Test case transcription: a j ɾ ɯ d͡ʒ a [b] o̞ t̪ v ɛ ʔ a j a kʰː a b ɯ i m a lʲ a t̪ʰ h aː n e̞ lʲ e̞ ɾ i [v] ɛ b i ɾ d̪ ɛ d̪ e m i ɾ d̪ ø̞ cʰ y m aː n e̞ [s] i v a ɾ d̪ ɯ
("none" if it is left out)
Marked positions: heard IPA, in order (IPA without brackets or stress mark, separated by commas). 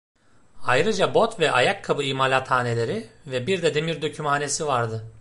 b, v, s